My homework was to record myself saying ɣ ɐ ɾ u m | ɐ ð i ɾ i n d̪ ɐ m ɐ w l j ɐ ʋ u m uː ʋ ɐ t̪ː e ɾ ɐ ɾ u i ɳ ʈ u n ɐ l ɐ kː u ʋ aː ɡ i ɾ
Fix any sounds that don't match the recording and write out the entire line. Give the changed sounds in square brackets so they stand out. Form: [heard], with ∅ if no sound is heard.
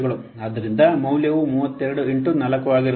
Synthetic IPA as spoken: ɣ ɐ [ɭ] u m | ɐ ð i ɾ i n d̪ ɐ m ɐ w l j ɐ ʋ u m uː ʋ ɐ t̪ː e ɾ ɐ [ɽ] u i ɳ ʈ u n ɐ l ɐ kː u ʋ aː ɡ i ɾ